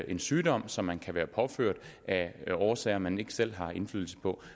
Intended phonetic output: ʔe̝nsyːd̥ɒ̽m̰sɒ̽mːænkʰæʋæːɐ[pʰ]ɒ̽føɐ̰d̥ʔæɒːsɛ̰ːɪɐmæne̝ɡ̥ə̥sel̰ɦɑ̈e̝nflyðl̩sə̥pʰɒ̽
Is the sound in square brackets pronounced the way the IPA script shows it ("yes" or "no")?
yes